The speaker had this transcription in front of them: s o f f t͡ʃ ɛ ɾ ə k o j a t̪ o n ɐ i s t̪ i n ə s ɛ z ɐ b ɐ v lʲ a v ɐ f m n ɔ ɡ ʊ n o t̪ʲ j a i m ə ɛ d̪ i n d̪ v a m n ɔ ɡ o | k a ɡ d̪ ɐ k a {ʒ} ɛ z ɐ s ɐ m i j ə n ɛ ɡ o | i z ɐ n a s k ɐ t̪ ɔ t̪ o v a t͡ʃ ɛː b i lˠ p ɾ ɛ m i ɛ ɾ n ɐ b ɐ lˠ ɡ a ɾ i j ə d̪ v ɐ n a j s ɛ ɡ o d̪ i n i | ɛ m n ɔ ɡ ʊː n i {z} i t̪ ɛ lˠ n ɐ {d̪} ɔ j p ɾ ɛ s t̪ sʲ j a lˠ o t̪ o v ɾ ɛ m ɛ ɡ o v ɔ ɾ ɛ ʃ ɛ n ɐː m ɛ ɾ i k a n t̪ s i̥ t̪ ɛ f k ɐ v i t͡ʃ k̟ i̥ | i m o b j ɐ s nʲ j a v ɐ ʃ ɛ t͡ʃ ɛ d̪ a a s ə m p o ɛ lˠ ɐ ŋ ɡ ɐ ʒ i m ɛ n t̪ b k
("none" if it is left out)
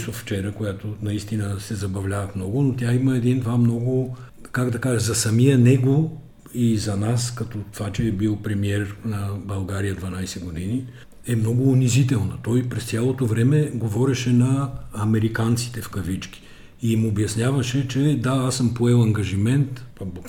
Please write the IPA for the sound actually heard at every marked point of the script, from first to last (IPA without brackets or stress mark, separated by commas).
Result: ʒ, z, t̪